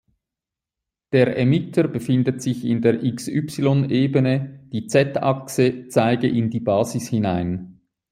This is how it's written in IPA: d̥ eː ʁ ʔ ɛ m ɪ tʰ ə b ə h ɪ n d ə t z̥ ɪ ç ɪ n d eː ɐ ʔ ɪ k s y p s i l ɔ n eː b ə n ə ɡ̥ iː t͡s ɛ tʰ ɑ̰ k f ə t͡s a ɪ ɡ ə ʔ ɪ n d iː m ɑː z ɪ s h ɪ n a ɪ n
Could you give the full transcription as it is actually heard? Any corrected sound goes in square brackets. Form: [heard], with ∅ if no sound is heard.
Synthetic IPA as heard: d̥ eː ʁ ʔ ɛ m ɪ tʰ ə b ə [f] ɪ n d ə t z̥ ɪ ç ɪ n d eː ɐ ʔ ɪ k s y p s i l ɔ n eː b ə n ə [d̥] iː t͡s ɛ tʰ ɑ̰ k [s] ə t͡s a ɪ ɡ ə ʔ ɪ n d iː [b] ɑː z ɪ s h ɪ n a ɪ n